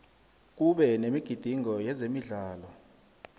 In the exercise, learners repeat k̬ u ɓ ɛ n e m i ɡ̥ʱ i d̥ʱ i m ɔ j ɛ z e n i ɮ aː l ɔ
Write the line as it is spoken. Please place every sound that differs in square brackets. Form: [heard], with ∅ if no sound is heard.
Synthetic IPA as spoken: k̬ u ɓ ɛ n e m i ɡ̥ʱ i d̥ʱ i [ŋ] ɔ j ɛ z e [m] i ɮ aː l ɔ